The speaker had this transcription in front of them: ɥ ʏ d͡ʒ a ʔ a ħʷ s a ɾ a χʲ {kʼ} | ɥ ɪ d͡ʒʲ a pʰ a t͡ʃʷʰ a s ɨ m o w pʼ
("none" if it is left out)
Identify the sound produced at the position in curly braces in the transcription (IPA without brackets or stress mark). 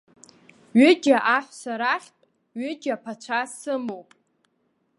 tʼ